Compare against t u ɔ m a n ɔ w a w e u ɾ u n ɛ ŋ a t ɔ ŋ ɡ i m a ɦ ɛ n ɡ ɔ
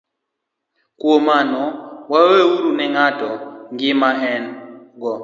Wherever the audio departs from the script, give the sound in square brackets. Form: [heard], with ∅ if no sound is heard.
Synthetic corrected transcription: [k] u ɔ m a n ɔ w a w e u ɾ u n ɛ ŋ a t ɔ ŋ ɡ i m a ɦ ɛ n ɡ ɔ